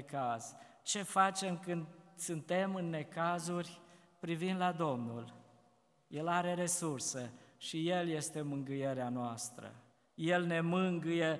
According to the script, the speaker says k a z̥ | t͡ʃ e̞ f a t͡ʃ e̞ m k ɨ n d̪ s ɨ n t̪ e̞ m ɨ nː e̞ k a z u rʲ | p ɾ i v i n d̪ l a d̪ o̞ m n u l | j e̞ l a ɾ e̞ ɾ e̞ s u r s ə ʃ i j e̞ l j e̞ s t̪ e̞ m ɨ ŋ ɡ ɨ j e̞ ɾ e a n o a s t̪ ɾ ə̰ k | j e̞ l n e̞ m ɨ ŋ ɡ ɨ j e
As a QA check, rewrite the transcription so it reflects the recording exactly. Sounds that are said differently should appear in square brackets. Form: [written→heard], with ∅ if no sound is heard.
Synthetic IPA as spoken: k a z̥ | t͡ʃ e̞ f a t͡ʃ e̞ m k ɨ n d̪ s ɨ n t̪ e̞ m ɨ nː e̞ k a z u rʲ | p ɾ i v i n d̪ l a d̪ o̞ m n u l | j e̞ l a ɾ e̞ ɾ e̞ s u r s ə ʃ i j e̞ l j e̞ s t̪ e̞ m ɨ ŋ ɡ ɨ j e̞ ɾ e a n o a s t̪ ɾ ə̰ [k→∅] | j e̞ l n e̞ m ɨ ŋ ɡ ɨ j e